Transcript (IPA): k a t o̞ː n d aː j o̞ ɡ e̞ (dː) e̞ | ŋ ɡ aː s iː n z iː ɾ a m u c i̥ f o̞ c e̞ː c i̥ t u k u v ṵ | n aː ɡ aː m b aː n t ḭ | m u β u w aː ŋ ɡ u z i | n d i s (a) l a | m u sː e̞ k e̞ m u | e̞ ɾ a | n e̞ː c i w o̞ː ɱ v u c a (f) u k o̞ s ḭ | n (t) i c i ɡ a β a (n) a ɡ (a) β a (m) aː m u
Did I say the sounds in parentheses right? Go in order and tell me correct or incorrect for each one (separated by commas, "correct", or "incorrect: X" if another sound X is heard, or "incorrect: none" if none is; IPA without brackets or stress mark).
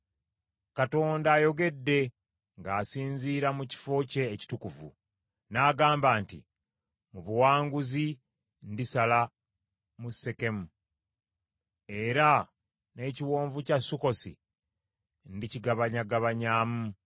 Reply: correct, correct, incorrect: s, incorrect: d, incorrect: ɲ, correct, incorrect: ɲ